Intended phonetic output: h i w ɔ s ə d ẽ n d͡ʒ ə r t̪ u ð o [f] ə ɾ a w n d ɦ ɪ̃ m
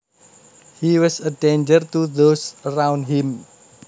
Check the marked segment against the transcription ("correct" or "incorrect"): incorrect